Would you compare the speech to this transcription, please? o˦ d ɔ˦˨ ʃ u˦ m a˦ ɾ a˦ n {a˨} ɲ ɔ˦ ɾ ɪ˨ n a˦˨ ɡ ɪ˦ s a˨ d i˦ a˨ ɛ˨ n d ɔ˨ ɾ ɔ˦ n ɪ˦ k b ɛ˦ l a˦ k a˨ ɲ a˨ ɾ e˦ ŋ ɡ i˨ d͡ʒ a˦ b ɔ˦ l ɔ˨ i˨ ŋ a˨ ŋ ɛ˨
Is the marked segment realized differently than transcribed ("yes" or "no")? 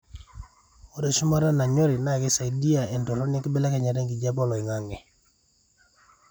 no